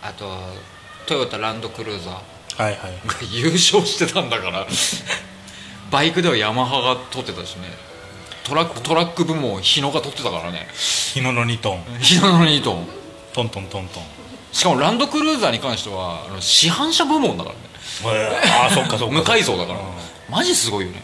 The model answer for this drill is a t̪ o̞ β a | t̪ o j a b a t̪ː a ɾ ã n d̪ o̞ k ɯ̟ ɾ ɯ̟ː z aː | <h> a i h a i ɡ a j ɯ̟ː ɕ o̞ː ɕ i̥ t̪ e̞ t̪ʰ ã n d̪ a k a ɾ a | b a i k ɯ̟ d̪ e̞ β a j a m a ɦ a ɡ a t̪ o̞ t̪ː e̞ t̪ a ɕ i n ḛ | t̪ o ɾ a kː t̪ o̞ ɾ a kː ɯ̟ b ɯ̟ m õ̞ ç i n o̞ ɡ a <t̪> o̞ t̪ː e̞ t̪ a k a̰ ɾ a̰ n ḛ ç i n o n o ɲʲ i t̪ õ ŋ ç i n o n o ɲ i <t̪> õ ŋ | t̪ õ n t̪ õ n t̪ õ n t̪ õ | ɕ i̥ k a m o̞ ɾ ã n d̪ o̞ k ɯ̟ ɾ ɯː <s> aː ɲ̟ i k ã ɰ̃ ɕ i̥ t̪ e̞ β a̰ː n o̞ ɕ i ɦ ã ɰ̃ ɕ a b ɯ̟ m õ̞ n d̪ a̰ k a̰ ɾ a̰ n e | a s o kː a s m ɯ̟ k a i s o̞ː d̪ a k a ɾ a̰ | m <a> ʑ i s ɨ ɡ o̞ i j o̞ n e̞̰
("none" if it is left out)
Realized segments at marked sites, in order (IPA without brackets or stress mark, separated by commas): h, t̪, t̪, z, a